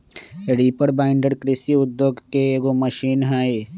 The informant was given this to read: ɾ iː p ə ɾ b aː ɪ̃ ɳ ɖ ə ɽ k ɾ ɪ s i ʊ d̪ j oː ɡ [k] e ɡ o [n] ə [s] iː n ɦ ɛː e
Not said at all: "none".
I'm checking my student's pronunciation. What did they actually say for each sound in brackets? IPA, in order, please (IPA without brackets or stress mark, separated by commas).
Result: k, m, ʃ